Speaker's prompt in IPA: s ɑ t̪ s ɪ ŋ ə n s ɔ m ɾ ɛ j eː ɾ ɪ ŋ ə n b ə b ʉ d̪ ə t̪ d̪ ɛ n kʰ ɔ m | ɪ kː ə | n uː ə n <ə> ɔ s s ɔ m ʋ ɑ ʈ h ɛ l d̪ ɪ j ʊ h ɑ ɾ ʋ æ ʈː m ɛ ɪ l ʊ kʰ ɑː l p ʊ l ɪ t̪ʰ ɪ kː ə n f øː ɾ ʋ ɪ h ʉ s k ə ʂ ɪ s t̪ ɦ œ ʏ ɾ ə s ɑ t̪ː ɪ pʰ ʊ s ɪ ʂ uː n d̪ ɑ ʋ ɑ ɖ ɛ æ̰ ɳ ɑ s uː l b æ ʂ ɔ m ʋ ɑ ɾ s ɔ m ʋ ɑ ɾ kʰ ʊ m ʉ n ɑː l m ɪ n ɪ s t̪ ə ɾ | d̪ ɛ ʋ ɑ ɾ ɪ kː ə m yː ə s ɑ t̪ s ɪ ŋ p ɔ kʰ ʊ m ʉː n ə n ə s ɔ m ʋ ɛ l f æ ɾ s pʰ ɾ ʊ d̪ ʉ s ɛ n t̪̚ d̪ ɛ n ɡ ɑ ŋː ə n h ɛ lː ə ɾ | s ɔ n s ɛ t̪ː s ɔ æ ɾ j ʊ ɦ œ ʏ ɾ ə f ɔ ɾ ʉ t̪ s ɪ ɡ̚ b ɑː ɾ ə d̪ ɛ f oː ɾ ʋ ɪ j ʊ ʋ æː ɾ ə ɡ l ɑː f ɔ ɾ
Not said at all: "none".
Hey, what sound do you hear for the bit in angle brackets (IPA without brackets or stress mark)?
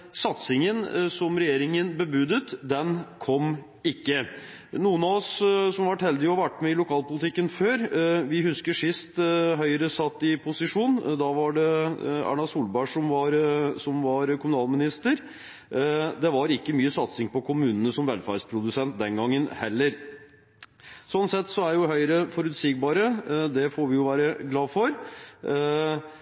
ɑ